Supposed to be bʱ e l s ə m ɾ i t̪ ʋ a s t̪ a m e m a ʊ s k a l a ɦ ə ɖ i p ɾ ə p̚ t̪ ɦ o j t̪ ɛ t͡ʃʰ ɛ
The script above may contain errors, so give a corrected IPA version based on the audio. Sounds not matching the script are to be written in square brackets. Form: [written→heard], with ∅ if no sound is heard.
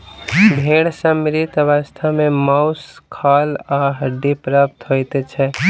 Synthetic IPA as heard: bʱ e [l→ɽ] s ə m ɾ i t̪ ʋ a s [t̪→t̪ʰ] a m e m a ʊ s [k→kʰ] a l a ɦ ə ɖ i p ɾ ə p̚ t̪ ɦ o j t̪ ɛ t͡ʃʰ ɛ